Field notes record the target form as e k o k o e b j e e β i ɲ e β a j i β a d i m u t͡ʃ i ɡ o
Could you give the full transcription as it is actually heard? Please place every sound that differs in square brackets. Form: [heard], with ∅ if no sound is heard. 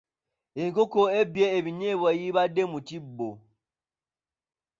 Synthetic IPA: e k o k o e b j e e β i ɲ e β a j i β a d [e] m u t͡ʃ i [b] o

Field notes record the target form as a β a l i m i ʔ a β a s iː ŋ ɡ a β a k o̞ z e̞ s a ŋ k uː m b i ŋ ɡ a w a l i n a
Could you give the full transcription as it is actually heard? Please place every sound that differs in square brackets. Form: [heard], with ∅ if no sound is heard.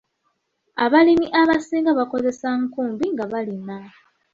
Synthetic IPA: a β a l i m i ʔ a β a s iː ŋ ɡ a β a k o̞ z e̞ s a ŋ k uː m b i ŋ ɡ a [β] a l i n a

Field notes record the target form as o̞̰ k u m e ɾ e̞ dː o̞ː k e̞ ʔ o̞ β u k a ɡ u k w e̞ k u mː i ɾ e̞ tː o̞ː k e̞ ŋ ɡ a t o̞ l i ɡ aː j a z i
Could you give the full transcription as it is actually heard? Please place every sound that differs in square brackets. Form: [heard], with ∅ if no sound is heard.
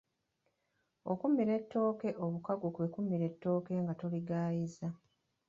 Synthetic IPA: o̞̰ k u m [i] ɾ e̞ [tː] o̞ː k e̞ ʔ o̞ β u k a ɡ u k w e̞ k u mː i ɾ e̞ tː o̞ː k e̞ ŋ ɡ a t o̞ l i ɡ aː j [i] z [a]

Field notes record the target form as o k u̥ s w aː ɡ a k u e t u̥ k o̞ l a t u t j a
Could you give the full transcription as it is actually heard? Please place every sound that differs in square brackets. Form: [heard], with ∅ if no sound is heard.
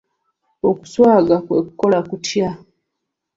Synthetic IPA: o k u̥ s w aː ɡ a k [w] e [k] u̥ k o̞ l a [k] u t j a

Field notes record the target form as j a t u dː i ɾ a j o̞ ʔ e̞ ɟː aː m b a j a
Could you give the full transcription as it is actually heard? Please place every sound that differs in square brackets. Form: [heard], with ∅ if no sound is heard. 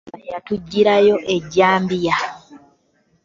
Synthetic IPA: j a t u [ɟː] i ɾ a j o̞ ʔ e̞ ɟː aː m b [i] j a

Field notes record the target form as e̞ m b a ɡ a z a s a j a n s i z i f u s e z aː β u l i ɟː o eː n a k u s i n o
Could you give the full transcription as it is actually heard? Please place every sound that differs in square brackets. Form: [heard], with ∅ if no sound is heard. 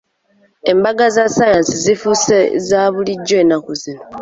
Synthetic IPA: e̞ m b a ɡ a z a s a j a n s i z i f u s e z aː β u l i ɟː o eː n a k u [z] i n o

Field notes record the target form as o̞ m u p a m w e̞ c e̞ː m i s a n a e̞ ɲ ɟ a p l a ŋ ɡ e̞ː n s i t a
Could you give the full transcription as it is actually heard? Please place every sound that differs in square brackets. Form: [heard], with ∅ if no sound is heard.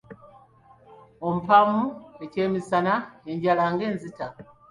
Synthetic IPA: o̞ m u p a m [u] e̞ c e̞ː m i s a n a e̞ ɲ ɟ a [∅] l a ŋ ɡ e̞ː n [z] i t a

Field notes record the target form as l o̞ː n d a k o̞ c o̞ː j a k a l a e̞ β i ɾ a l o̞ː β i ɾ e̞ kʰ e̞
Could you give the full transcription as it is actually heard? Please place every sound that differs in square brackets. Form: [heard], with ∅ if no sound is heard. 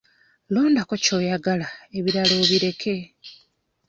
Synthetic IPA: l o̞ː n d a k o̞ c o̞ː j a [ɡ] a l a e̞ β i ɾ a l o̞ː β i ɾ e̞ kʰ e̞

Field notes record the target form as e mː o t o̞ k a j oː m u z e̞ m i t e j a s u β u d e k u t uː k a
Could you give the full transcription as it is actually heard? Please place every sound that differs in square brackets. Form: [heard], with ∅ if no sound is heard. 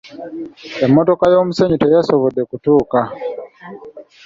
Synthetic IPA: e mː o t o̞ k a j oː m u [s] e̞ [ɲ] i t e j a s [o] β [o] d e k u t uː k a

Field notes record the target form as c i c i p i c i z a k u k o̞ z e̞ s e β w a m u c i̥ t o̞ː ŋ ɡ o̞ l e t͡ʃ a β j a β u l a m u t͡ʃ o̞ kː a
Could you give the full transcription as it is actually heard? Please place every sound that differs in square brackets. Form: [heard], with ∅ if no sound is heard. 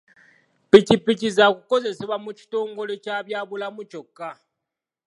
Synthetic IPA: [p] i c i p i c i z a k u k o̞ z e̞ s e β w a m u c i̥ t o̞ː ŋ ɡ o̞ l e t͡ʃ a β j a β u l a m u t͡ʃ o̞ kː a

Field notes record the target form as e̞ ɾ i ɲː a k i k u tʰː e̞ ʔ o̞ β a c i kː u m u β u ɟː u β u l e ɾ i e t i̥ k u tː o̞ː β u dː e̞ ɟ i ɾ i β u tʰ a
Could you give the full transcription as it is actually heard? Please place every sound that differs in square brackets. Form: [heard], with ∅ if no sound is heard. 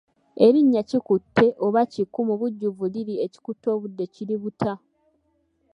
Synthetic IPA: e̞ ɾ i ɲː a [c] i k u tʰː e̞ ʔ o̞ β a c i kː u m u β u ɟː u [v] u l [i] ɾ i e [c] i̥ k u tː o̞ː β u dː e̞ [c] i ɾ i β u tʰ a

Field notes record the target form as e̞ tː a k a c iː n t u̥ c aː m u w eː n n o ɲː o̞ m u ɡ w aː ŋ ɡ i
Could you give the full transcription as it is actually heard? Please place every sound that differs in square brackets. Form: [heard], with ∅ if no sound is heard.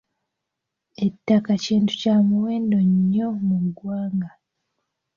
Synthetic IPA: e̞ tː a k a c iː n t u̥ c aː m u w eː n [d] o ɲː o̞ m u ɡ w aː ŋ ɡ [a]

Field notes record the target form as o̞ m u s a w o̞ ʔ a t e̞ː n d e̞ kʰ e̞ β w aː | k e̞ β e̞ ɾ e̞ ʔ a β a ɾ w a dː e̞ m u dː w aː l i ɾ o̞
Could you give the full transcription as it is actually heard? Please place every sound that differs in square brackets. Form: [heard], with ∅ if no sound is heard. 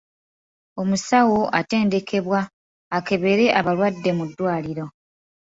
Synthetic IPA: o̞ m u s a w o̞ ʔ a t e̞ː n d e̞ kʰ e̞ β w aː | k e̞ β e̞ ɾ e̞ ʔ a β a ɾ w a dː e̞ m u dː w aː l i ɾ o̞

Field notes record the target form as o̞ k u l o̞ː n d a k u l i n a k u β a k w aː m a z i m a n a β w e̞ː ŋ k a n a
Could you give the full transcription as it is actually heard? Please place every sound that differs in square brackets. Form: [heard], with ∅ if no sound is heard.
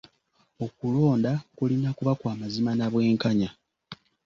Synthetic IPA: o̞ k u l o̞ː n d a k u l i n a k u β a k w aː m a z i m a n a β w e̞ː ŋ k a [ɲ] a

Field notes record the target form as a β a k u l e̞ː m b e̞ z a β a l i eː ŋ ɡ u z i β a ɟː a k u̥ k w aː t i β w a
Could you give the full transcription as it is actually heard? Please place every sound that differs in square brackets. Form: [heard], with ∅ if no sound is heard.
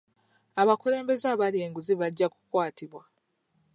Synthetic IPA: a β a k u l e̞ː m b e̞ z a β a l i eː ŋ ɡ u z i β a ɟː a k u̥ k w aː t i β w a

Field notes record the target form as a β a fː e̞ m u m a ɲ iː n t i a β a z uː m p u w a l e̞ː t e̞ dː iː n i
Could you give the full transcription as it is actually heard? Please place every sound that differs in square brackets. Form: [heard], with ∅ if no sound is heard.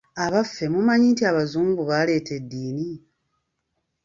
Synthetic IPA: a β a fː e̞ m u m a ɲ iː n t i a β a z uː m [b] u [β] a l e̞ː t e̞ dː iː n i

